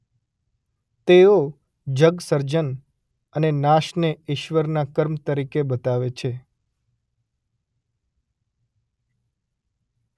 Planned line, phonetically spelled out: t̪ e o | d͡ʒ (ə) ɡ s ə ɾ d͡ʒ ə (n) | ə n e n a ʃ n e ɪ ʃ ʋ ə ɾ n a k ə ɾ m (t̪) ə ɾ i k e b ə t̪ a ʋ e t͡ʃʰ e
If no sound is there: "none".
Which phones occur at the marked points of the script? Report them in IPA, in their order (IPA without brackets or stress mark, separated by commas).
ə, n, t̪